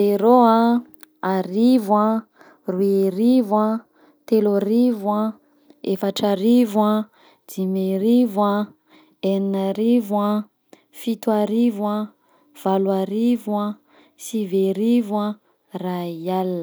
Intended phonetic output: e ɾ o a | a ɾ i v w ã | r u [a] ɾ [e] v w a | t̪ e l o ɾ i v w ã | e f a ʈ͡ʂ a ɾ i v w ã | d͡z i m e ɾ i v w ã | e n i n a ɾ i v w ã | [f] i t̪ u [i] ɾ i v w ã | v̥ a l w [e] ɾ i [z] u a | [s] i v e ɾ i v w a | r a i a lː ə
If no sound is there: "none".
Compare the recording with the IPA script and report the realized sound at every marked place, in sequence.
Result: e, i, f, a, a, v, s

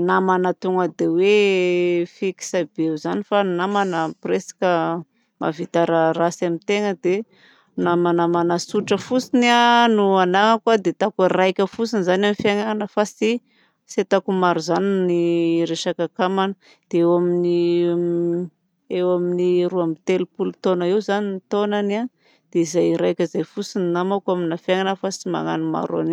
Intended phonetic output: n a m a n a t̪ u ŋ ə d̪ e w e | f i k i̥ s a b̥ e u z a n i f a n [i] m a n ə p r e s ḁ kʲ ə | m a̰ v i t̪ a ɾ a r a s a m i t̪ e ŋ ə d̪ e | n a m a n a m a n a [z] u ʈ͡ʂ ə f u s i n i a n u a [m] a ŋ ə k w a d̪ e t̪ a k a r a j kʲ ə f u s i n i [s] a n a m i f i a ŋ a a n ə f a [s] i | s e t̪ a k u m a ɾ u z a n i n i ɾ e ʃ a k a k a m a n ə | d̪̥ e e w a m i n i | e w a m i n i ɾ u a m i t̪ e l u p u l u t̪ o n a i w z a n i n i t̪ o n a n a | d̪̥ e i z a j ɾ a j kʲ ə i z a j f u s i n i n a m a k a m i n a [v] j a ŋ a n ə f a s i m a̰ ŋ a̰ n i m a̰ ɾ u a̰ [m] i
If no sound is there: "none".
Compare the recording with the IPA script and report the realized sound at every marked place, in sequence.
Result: a, s, n, z, s, f, n

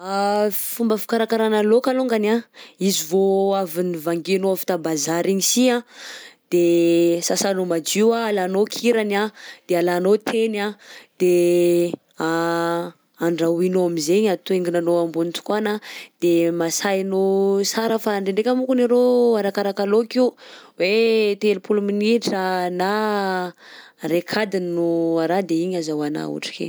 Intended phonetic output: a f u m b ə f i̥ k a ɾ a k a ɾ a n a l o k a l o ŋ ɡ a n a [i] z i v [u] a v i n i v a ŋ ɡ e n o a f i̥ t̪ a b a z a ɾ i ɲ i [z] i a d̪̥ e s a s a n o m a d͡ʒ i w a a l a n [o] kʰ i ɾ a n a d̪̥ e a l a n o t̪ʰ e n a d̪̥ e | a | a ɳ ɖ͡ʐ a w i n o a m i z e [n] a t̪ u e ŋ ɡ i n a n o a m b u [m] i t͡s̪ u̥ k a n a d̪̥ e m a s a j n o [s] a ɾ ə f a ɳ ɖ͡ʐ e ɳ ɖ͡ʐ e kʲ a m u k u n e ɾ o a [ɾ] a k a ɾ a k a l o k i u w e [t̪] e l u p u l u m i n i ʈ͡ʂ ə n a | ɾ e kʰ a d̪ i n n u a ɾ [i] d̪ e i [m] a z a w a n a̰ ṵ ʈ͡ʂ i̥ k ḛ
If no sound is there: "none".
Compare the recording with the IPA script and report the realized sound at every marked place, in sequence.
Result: i, o, s, o, ɲ, n, s, ɾ, t̪, a, ɲ

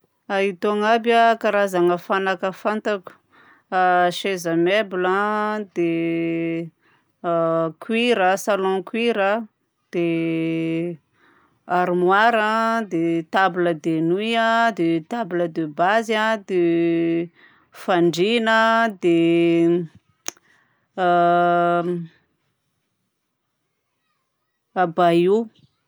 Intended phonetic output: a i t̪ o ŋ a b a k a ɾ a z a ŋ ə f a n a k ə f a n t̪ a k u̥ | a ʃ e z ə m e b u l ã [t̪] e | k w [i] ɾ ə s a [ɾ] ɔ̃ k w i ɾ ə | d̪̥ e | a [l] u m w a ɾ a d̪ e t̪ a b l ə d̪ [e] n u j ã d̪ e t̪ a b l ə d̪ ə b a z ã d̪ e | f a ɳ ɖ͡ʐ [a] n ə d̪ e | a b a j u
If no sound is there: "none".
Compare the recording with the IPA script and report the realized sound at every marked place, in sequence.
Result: d̪, i, l, ɾ, e, i

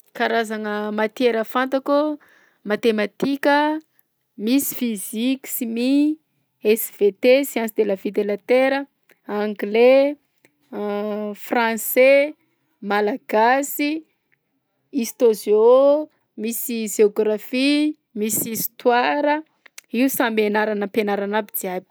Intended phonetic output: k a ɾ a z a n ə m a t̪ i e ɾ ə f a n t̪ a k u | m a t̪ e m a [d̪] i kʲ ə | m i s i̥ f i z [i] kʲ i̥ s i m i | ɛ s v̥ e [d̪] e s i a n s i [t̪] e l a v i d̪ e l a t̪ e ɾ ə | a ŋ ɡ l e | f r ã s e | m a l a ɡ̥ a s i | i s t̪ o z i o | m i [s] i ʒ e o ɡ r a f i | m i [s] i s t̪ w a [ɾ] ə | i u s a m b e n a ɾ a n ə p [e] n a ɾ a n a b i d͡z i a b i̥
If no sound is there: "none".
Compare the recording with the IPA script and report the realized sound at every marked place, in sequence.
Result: t̪, i, t̪, d̪, s, s, ɾ, e

